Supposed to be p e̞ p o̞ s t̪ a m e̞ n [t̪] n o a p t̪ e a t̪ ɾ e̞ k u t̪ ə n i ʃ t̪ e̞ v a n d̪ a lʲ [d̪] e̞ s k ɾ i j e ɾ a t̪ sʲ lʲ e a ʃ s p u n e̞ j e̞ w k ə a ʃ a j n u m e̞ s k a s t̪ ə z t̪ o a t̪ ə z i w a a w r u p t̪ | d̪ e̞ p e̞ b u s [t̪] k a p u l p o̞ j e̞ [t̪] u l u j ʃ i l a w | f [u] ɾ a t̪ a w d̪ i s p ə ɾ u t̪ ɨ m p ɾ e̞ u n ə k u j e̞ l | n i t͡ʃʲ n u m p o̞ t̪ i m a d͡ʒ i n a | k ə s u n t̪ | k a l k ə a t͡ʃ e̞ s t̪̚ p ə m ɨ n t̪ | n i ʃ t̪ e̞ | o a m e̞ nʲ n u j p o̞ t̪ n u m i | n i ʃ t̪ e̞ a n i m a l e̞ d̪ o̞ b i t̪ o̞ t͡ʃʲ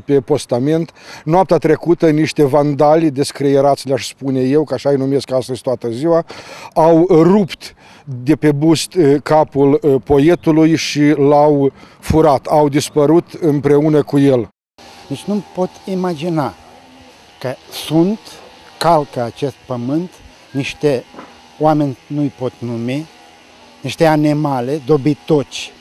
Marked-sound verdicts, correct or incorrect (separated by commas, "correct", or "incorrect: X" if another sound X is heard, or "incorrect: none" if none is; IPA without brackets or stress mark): correct, correct, correct, correct, correct